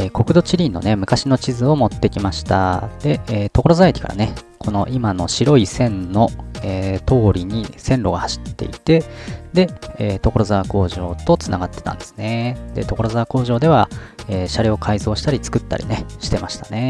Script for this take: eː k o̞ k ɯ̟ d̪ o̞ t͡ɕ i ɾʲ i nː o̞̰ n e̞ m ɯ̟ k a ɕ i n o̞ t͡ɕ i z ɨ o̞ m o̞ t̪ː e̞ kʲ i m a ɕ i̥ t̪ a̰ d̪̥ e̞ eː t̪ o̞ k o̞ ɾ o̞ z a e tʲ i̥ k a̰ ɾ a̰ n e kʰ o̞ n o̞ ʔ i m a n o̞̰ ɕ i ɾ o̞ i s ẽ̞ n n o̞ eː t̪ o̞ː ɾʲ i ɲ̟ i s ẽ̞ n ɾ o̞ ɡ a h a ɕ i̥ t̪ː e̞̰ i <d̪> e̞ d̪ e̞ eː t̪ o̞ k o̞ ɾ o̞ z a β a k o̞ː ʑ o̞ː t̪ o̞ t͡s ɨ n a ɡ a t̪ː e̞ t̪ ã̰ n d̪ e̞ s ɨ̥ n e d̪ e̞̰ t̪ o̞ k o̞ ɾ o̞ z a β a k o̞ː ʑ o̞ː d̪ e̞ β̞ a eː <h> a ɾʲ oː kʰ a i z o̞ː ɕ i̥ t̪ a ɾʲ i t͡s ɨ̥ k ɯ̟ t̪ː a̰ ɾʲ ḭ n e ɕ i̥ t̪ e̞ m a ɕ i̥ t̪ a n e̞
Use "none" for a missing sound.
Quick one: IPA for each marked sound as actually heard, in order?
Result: t̪, ɕ

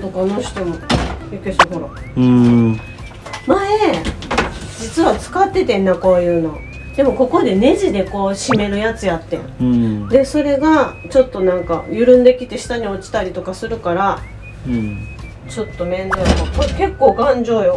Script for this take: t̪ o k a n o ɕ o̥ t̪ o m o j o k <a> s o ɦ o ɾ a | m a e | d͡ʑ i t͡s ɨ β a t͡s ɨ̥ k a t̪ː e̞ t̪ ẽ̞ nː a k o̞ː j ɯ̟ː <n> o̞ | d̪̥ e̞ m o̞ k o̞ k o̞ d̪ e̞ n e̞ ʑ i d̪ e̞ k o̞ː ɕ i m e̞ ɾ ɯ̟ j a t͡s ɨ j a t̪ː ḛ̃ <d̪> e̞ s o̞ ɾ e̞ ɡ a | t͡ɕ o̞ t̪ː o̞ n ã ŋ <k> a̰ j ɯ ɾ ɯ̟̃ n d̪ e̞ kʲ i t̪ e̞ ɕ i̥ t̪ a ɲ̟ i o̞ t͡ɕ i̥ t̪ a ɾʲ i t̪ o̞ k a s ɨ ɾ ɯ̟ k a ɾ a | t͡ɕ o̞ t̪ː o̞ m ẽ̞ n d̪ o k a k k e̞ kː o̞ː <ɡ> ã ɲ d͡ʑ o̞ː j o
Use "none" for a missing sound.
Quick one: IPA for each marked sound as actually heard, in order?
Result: e, n, d̪, k, ɡ

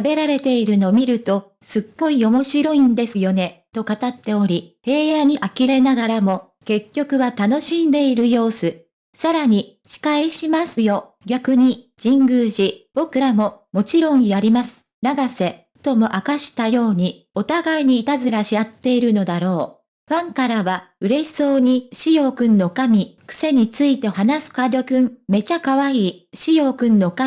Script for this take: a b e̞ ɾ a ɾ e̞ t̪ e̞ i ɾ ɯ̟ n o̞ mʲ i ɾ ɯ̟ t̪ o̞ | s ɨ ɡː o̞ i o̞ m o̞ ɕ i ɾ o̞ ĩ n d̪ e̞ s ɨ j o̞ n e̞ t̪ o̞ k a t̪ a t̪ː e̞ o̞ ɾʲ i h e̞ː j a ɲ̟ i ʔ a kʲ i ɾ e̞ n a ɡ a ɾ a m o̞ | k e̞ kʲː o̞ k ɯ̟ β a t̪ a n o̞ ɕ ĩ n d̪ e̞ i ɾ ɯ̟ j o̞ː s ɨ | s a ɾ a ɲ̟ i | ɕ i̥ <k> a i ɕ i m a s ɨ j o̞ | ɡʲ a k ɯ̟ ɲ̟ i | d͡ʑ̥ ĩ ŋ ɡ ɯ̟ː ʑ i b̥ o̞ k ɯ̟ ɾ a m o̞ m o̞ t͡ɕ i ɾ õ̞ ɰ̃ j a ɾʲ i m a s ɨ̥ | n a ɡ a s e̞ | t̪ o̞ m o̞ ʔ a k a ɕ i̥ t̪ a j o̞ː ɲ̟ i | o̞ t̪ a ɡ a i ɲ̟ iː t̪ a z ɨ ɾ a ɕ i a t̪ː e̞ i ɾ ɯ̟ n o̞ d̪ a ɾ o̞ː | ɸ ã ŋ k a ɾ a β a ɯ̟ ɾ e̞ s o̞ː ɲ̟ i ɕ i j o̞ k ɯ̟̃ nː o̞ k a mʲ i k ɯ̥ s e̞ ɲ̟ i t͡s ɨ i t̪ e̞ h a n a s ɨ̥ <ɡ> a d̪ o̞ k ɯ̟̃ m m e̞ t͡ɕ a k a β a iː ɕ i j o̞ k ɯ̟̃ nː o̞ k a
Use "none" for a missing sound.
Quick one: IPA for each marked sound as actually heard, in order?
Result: k, k

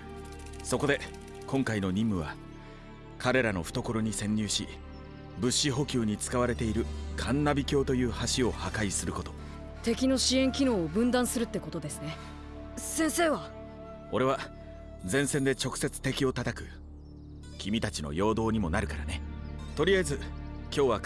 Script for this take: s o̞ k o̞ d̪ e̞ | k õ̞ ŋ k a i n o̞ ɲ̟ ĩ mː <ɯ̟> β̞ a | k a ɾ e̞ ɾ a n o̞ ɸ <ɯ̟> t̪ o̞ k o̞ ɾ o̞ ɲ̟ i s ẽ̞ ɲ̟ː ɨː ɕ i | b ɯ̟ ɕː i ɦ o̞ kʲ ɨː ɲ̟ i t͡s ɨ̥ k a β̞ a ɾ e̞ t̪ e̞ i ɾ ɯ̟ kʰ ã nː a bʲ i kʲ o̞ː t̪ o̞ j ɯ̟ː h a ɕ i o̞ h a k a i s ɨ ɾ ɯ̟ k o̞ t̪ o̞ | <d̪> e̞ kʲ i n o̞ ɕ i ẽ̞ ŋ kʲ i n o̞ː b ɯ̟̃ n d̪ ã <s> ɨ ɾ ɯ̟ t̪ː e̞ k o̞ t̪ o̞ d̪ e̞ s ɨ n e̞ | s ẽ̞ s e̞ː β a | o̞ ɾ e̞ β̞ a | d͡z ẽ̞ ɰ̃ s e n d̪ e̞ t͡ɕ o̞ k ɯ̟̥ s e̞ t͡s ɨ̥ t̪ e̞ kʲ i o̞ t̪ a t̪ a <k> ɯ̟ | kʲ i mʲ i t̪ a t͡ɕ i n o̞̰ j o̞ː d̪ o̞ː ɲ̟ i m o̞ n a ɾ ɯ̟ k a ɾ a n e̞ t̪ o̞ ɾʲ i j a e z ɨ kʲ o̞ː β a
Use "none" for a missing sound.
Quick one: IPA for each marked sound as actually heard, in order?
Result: ɯ̟, ɯ̟, t̪, s, k

